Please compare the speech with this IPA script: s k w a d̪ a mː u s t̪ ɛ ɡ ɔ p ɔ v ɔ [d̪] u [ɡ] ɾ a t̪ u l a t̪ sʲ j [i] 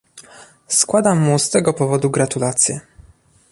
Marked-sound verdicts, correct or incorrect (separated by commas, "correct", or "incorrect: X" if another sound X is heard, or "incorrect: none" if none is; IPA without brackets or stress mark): correct, correct, incorrect: ɛ